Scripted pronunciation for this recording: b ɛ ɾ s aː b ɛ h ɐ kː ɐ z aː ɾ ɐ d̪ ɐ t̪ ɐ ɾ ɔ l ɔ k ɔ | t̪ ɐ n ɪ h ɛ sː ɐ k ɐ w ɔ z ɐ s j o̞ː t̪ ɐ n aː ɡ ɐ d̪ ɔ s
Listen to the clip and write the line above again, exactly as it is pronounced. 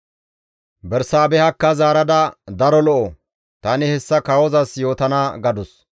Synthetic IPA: b ɛ ɾ s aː b ɛ h ɐ kː ɐ z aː ɾ ɐ d̪ ɐ d̪ ɐ ɾ ɔ l ɔ ʔ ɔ | t̪ ɐ n ɪ h ɛ sː ɐ k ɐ w ɔ z ɐ s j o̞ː t̪ ɐ n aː ɡ ɐ d̪ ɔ s